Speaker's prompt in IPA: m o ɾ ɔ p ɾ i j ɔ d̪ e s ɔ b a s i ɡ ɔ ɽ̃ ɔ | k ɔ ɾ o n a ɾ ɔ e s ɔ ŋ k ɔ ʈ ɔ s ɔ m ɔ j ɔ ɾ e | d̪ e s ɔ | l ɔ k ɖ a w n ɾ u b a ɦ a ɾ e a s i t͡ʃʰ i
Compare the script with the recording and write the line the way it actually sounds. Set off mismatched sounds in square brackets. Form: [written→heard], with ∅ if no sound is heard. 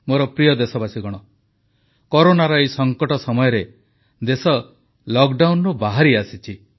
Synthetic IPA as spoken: m o ɾ ɔ p ɾ i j ɔ d̪ e s ɔ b a s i ɡ ɔ ɽ̃ ɔ | k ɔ ɾ o n a ɾ ɔ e s ɔ ŋ k ɔ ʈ ɔ s ɔ m ɔ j ɔ ɾ e | d̪ e s ɔ | l ɔ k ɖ a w n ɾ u b a ɦ a ɾ [e→i] a s i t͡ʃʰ i